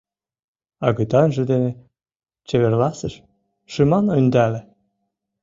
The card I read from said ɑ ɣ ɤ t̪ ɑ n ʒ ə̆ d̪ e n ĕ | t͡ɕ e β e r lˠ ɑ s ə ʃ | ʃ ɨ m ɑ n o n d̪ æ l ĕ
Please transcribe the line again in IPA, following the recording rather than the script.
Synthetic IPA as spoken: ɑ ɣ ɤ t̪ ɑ n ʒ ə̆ d̪ e n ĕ | t͡ɕ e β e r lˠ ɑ s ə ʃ | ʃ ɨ m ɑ n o n d̪ æ l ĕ